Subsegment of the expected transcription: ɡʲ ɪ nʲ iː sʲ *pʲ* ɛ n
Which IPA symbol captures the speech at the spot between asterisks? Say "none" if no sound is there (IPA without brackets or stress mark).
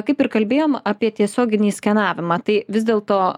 kʲ